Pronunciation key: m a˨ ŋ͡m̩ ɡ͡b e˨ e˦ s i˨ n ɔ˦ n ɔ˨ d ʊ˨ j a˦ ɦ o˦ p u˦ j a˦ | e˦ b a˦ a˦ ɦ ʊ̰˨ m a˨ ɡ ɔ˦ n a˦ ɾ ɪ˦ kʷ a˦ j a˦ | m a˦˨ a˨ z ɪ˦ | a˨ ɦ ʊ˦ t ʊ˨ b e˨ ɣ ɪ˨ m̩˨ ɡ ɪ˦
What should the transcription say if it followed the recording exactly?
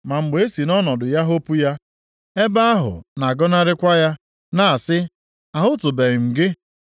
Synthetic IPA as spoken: m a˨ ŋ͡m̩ ɡ͡b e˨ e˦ s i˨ n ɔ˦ n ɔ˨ d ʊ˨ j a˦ ɦ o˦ p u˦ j a˦ | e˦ b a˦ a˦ ɦ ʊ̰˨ n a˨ ɡ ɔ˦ n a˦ ɾ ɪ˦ kʷ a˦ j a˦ | n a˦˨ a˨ s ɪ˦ | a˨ ɦ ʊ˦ t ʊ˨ b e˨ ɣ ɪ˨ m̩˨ ɡ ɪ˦